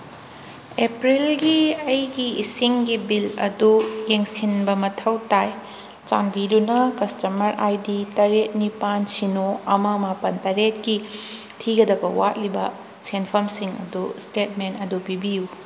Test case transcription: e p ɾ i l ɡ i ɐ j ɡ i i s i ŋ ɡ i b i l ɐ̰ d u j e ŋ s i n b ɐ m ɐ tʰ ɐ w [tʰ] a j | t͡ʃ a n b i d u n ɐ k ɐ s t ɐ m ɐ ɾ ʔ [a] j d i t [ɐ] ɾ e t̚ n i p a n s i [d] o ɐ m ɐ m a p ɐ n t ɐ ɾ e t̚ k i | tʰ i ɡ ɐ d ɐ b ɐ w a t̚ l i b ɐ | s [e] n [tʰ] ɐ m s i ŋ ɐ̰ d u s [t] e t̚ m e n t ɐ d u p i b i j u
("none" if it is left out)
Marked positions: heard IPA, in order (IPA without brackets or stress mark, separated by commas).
t, a, ɐ, n, e, pʰ, t